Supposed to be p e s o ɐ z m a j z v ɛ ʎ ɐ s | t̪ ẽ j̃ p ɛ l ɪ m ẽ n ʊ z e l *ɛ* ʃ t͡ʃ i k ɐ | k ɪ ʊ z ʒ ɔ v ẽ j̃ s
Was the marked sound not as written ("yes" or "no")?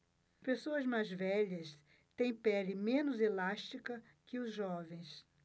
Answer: yes